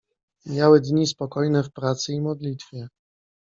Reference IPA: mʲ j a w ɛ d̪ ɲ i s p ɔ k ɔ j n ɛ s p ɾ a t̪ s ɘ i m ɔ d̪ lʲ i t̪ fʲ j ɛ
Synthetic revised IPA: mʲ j a w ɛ d̪ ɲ i s p ɔ k ɔ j n ɛ f p ɾ a t̪ s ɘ i m ɔ d̪ lʲ i t̪ fʲ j ɛ